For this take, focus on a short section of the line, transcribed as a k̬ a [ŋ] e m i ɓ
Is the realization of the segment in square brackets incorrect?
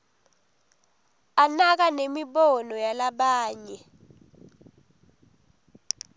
yes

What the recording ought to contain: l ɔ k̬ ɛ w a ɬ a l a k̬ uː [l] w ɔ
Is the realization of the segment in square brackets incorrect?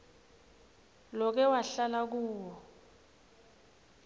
yes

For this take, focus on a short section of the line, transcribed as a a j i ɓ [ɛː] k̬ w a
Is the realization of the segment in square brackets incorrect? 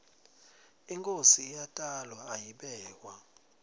no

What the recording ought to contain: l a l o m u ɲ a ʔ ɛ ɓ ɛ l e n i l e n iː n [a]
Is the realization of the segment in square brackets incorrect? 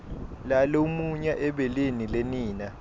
no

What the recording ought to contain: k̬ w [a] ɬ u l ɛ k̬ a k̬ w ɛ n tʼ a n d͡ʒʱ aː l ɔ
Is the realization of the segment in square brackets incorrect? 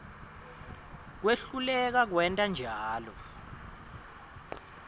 yes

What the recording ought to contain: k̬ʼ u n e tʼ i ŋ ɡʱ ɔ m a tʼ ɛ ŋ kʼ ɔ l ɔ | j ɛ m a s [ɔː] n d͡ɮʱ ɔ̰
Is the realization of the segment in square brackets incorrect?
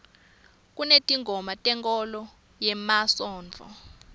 no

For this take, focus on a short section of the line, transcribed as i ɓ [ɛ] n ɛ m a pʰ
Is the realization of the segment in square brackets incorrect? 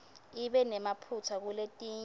no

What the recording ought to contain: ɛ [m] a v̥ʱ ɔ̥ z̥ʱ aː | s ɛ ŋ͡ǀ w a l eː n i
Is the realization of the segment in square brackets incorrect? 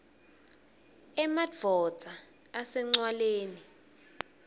no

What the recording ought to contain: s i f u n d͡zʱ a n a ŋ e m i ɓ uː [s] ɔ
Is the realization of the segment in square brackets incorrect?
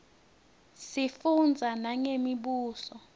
no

